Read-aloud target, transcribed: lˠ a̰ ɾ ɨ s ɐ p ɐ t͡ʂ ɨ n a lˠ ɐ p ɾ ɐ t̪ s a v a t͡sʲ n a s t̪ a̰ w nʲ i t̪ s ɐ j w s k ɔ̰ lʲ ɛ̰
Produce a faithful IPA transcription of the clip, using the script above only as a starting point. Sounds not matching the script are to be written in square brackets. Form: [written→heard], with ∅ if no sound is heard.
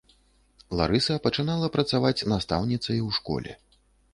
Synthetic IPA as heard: lˠ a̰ ɾ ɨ s ɐ p ɐ t͡ʂ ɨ n a lˠ ɐ p ɾ ɐ t̪ s a v a t͡sʲ n a s t̪ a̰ w nʲ i t̪ s ɐ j w [s→ʂ] k ɔ̰ lʲ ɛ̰